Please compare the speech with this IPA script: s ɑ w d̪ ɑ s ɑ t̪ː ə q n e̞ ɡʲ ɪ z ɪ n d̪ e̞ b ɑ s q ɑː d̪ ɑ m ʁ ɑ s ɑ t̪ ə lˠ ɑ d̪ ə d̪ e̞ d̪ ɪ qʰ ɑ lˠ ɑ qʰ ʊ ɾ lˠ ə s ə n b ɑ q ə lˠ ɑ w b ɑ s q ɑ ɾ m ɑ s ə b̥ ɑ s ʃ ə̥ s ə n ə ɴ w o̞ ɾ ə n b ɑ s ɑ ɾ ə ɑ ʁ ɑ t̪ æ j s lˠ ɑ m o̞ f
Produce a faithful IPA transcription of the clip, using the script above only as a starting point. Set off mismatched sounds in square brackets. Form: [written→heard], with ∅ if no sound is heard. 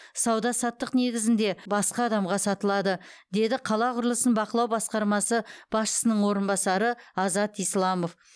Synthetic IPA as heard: s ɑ w d̪ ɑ s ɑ t̪ː ə q n e̞ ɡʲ ɪ z ɪ n d̪ e̞ b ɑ s q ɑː d̪ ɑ m ʁ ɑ s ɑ t̪ ə lˠ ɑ d̪ ə d̪ e̞ d̪ ɪ qʰ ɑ lˠ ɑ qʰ ʊ ɾ lˠ ə s ə n b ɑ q ə lˠ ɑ w b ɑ s q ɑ ɾ m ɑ s ə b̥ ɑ s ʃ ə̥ s ə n ə ɴ w o̞ ɾ ə n b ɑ s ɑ ɾ ə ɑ [ʁ→z] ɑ t̪ [æ→i] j s lˠ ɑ m o̞ f